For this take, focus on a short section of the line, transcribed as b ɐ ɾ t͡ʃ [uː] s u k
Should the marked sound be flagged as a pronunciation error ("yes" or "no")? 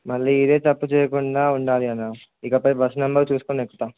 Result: no